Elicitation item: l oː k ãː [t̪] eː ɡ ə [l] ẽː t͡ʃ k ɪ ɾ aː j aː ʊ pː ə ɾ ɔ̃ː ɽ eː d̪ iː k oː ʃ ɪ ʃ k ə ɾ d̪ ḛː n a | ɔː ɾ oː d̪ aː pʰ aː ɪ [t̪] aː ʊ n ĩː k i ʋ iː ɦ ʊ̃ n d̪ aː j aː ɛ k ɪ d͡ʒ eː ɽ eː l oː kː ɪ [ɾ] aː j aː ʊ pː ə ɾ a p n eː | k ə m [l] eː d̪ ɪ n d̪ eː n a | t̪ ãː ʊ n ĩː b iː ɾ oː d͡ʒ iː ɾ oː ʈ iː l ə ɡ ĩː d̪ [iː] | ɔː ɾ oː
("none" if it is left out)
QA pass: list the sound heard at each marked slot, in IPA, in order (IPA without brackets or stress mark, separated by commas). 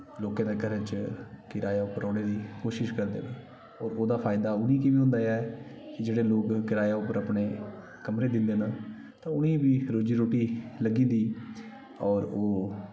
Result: d̪, ɾ, d̪, ɾ, ɾ, iː